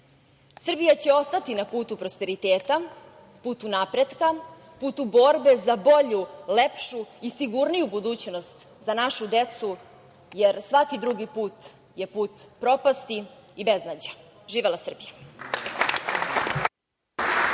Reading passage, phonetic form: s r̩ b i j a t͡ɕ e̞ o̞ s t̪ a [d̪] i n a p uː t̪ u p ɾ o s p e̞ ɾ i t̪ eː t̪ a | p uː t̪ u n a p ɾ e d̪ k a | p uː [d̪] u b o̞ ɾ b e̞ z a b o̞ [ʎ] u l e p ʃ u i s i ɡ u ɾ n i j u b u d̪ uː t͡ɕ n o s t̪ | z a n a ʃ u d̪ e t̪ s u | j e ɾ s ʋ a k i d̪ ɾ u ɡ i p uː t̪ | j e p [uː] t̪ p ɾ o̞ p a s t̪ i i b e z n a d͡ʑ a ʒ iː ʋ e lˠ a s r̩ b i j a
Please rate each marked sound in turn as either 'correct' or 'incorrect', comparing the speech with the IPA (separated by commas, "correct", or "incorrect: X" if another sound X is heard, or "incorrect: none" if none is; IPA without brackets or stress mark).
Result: incorrect: t̪, incorrect: t̪, correct, correct